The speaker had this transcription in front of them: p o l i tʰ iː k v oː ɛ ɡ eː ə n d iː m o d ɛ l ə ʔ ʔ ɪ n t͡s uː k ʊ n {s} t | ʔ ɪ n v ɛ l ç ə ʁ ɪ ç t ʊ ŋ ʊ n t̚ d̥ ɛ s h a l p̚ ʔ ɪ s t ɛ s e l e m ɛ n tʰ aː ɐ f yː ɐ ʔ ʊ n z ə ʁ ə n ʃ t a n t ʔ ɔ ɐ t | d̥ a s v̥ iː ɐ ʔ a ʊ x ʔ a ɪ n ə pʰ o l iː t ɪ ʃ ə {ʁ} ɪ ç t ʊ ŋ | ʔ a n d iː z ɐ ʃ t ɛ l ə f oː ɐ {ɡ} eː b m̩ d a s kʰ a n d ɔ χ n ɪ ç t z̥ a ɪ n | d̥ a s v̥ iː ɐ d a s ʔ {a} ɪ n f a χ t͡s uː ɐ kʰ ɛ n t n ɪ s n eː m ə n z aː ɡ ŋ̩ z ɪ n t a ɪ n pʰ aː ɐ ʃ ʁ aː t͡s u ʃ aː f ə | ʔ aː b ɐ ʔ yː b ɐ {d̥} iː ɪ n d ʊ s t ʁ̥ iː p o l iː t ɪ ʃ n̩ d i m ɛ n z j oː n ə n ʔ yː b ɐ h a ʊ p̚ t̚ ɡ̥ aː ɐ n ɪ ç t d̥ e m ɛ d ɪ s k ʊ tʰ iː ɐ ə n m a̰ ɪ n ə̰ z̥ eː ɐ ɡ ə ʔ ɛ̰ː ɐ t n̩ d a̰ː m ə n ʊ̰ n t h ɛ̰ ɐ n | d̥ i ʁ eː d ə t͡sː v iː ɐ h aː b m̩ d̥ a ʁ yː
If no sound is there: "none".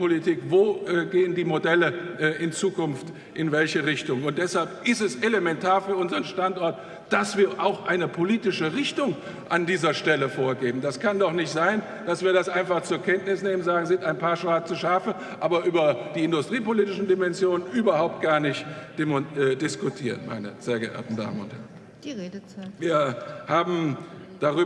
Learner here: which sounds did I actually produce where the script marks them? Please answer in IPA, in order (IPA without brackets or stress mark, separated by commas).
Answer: f, ʁ, ɡ, a, d̥